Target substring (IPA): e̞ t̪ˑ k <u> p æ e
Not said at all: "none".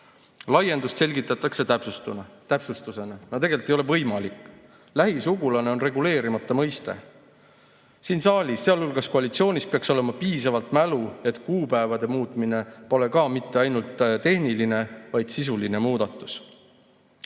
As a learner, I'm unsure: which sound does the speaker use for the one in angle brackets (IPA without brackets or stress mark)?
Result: uː